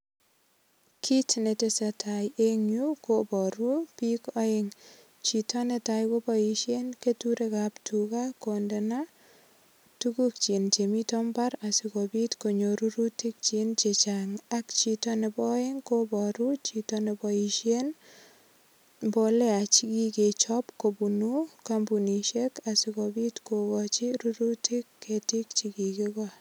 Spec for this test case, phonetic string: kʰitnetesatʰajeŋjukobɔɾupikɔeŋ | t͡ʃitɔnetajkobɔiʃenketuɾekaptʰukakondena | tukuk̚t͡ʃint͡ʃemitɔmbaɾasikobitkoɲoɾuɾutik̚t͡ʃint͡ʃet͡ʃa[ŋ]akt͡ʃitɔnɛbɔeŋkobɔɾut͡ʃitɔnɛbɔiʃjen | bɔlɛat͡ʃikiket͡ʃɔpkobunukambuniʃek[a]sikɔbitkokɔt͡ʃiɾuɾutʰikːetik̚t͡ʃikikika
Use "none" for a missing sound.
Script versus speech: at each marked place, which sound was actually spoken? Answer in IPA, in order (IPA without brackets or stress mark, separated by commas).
ŋ, a